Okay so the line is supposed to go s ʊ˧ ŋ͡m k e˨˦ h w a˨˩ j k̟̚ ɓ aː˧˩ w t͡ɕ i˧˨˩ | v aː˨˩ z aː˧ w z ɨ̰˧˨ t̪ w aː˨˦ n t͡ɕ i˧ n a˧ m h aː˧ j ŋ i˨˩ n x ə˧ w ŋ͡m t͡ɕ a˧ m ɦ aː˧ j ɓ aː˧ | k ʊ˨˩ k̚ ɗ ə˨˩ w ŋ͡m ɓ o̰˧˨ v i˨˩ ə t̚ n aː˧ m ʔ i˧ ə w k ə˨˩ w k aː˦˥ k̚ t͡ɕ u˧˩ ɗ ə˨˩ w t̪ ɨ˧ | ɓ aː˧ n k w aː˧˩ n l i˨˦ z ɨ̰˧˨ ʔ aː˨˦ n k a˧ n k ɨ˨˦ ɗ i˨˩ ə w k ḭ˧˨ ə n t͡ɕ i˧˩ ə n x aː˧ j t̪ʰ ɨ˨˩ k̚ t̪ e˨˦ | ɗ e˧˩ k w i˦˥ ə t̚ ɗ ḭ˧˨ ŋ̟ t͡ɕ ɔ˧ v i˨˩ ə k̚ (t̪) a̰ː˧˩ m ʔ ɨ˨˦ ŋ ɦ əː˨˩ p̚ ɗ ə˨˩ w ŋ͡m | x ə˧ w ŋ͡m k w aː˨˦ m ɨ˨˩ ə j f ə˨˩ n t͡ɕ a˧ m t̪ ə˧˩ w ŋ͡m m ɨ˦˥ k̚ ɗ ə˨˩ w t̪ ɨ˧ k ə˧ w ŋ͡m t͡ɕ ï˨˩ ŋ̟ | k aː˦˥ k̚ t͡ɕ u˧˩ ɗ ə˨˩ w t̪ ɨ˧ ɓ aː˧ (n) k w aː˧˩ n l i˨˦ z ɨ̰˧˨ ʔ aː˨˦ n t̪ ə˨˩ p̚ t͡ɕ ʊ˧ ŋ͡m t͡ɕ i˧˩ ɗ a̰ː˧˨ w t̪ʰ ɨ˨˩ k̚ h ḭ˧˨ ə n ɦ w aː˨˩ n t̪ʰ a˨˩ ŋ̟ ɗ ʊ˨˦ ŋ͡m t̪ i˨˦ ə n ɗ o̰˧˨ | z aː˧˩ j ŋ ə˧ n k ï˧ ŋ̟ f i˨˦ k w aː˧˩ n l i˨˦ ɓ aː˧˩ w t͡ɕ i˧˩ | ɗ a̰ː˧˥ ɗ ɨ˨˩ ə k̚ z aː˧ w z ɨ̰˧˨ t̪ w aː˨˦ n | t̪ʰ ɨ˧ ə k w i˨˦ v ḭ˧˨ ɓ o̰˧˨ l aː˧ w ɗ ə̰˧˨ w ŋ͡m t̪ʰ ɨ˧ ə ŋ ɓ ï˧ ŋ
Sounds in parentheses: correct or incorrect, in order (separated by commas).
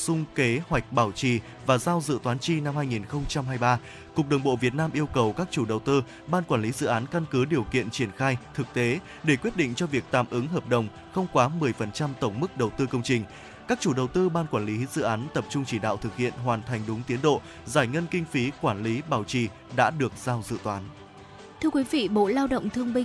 correct, correct